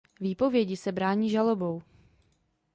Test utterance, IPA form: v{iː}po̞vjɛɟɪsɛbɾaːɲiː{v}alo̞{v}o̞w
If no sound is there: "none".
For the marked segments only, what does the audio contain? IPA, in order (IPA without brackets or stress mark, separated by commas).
iː, ʒ, b